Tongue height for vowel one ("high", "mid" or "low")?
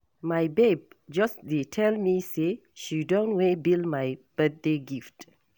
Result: low